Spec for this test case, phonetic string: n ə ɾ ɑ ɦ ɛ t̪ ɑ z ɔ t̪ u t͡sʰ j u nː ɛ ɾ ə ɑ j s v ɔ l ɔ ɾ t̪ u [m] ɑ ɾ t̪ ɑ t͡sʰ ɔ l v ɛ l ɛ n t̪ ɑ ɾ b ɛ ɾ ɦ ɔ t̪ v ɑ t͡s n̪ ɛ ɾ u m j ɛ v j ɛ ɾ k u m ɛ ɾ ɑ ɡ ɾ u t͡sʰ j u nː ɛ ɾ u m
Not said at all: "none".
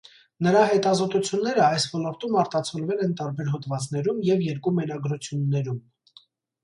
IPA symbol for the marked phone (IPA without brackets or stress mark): m